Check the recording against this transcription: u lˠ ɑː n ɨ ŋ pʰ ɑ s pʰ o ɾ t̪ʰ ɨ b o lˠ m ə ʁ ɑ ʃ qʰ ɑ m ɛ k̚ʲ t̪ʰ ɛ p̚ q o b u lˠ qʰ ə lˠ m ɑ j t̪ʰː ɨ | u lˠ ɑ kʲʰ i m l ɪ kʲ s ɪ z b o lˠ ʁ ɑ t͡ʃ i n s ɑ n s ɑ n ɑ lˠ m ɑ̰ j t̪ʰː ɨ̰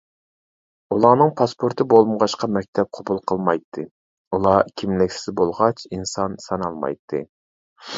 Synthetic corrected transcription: u lˠ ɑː n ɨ ŋ pʰ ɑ s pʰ o ɾ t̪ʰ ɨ b o lˠ m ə ʁ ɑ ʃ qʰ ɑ m ɛ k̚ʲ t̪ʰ ɛ p̚ qʰ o b u lˠ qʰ ə lˠ m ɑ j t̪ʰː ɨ | u lˠ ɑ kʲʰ i m l ɪ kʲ s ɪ z b o lˠ ʁ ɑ t͡ʃ i n s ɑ n s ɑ n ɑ lˠ m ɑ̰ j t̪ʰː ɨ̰

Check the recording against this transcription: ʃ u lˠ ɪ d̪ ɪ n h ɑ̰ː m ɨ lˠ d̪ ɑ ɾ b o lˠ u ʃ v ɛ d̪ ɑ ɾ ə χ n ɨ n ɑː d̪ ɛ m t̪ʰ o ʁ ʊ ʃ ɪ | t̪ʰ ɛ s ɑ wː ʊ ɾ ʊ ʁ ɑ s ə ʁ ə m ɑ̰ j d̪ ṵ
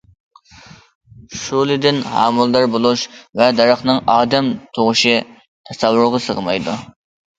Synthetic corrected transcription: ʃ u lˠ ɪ d̪ ɪ n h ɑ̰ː m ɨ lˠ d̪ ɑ ɾ b o lˠ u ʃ v ɛ d̪ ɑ ɾ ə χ n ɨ ŋ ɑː d̪ ɛ m t̪ʰ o ʁ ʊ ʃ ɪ | t̪ʰ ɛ s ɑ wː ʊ ɾ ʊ ʁ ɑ s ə ʁ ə m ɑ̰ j d̪ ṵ

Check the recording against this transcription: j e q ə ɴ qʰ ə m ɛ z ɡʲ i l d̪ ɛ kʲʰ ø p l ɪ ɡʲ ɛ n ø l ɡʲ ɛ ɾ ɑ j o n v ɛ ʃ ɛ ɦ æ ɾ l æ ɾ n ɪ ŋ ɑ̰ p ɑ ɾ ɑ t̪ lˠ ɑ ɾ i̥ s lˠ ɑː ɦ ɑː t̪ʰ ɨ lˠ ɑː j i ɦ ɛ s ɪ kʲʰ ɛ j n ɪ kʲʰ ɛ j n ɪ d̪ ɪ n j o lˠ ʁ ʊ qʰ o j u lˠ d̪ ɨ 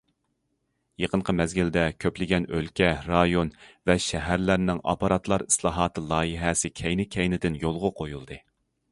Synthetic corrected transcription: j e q ə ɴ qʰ ə m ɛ z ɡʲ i l d̪ ɛ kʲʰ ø p l ɪ ɡʲ ɛ n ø l kʲ ɛ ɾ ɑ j o n v ɛ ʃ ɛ ɦ æ ɾ l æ ɾ n ɪ ŋ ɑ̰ p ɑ ɾ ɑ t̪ lˠ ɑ ɾ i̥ s lˠ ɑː ɦ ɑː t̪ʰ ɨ lˠ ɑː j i ɦ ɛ s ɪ kʲʰ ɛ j n ɪ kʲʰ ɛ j n ɪ d̪ ɪ n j o lˠ ʁ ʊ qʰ o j u lˠ d̪ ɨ

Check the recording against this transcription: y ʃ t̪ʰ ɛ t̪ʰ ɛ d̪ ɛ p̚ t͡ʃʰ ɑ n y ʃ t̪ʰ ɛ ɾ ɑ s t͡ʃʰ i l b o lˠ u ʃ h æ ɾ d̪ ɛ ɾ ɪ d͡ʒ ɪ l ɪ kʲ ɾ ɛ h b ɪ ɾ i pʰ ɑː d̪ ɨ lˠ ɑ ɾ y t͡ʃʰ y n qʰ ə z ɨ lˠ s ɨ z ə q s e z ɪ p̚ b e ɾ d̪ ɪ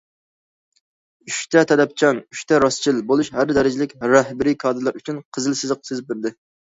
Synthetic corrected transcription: y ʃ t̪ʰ ɛ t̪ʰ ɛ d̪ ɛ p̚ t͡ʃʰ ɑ n y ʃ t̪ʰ ɛ ɾ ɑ s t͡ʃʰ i l b o lˠ u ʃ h æ ɾ d̪ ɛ ɾ ɪ d͡ʒ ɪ l ɪ kʲ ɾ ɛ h b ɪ ɾ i kʰ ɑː d̪ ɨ lˠ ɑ ɾ y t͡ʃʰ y n qʰ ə z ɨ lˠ s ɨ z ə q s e z ɪ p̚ b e ɾ d̪ ɪ

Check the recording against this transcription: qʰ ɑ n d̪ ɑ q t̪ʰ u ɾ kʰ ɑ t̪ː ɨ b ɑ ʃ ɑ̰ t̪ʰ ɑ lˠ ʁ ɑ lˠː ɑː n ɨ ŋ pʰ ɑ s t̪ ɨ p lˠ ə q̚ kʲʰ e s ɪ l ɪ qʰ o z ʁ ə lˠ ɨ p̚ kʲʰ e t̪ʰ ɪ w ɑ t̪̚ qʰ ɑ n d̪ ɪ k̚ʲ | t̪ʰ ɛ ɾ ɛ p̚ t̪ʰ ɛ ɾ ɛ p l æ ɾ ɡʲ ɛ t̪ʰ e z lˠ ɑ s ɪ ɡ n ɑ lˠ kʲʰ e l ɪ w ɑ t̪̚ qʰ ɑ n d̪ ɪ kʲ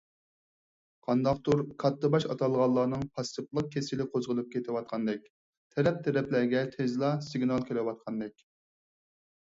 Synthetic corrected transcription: qʰ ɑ n d̪ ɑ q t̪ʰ u ɾ kʰ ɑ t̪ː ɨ b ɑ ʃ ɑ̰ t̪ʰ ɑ lˠ ʁ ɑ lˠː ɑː n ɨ ŋ pʰ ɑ s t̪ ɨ p lˠ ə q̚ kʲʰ e s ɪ l ɪ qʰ o z ʁ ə lˠ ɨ p̚ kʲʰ e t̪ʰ ɪ w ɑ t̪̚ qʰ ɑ n d̪ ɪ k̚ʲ | t̪ʰ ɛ ɾ ɛ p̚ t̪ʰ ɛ ɾ ɛ p l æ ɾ ɡʲ ɛ t̪ʰ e z lˠ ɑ s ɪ ɡ n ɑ lˠ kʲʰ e l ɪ w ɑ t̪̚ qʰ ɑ n d̪ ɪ kʲ

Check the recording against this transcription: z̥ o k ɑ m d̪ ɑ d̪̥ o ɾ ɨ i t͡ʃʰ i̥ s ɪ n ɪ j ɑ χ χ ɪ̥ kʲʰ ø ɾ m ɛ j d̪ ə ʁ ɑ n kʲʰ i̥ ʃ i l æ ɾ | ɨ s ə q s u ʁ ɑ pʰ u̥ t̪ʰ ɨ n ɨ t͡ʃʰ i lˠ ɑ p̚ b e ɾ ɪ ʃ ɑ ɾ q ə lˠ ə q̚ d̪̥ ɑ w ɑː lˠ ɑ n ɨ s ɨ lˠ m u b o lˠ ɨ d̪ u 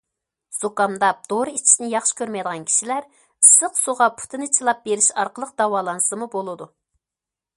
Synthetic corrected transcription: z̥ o k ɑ m d̪ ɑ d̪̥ o ɾ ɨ i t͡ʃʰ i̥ s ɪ n ɪ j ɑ χ ʃ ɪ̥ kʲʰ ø ɾ m ɛ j d̪ ə ʁ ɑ n kʲʰ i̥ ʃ i l æ ɾ | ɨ s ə q s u ʁ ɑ pʰ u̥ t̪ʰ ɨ n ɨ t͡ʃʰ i lˠ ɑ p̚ b e ɾ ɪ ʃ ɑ ɾ q ə lˠ ə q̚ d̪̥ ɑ w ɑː lˠ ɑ n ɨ s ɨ m u b o lˠ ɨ d̪ u

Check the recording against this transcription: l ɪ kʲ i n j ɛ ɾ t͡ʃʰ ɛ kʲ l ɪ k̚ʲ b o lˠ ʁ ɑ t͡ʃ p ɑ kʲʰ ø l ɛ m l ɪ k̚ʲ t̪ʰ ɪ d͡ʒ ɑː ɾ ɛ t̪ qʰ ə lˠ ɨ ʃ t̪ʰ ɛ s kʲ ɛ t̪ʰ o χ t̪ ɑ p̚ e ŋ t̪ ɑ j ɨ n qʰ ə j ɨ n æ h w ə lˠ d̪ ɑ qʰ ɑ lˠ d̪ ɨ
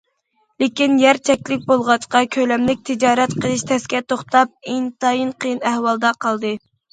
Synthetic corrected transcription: l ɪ kʲ i n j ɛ ɾ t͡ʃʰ ɛ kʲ l ɪ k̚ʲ b o lˠ ʁ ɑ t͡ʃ q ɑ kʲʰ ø l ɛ m l ɪ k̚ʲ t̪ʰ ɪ d͡ʒ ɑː ɾ ɛ t̪ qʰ ə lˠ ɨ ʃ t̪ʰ ɛ s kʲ ɛ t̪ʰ o χ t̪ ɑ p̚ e ŋ t̪ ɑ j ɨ n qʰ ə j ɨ n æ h w ɑ lˠ d̪ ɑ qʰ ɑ lˠ d̪ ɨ

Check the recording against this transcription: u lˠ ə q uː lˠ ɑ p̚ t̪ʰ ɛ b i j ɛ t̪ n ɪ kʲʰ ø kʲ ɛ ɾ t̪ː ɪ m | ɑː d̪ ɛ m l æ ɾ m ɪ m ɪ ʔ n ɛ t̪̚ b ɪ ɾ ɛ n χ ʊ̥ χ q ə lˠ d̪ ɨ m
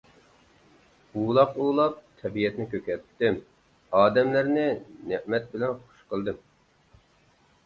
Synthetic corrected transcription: u lˠ ɑ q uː lˠ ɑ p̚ t̪ʰ ɛ b i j ɛ t̪ n ɪ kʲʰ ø kʲ ɛ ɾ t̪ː ɪ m | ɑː d̪ ɛ m l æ ɾ n ɪ n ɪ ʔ m ɛ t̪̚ b ɪ l ɛ n χ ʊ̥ ʃ q ə lˠ d̪ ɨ m

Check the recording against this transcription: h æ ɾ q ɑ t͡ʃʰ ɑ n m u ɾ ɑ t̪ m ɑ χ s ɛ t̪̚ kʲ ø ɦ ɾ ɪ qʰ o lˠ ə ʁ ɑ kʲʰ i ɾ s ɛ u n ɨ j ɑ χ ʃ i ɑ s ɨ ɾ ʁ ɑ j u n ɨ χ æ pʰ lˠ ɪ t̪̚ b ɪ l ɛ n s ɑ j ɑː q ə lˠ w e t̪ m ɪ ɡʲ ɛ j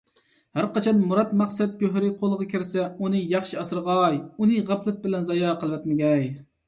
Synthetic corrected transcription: h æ ɾ q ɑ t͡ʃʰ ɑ n m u ɾ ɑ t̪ m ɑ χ s ɛ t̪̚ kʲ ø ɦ ɾ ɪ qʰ o lˠ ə ʁ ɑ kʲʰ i ɾ s ɛ u n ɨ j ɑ χ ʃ i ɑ s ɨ ɾ ʁ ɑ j u n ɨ ʁ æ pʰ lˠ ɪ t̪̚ b ɪ l ɛ n z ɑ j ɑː q ə lˠ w ɛ t̪ m ɪ ɡʲ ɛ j

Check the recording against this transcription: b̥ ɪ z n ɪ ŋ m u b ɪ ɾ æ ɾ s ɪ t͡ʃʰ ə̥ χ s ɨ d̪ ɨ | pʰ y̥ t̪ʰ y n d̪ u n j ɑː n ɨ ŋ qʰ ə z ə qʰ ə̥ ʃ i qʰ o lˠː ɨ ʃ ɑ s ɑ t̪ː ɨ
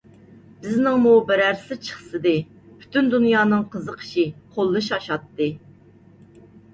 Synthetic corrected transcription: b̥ ɪ z n ɪ ŋ m u b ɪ ɾ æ ɾ s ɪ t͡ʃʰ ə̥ χ s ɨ d̪ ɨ | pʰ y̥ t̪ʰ y n d̪ u n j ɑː n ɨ ŋ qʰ ə z ə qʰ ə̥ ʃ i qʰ o lˠː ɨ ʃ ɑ ʃ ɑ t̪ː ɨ

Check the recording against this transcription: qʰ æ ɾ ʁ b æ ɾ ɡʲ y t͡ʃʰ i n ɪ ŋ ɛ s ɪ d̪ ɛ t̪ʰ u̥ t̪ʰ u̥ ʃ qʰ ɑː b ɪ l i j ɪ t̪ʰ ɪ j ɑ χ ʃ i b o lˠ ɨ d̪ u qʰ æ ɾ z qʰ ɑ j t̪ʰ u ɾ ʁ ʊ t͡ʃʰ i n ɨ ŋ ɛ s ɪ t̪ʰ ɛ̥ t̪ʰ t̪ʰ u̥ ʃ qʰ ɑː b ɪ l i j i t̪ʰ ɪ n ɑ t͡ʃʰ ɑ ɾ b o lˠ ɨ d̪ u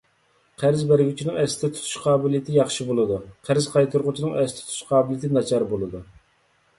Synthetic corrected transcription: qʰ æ ɾ z b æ ɾ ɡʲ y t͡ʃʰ i n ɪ ŋ ɛ s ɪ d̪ ɛ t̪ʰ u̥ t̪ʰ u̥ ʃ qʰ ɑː b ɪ l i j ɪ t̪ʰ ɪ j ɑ χ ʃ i b o lˠ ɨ d̪ u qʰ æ ɾ z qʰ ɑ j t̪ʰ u ɾ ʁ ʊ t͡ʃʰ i n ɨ ŋ ɛ s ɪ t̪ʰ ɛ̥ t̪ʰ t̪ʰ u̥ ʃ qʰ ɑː b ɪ l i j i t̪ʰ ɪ n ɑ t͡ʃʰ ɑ ɾ b o lˠ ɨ d̪ u

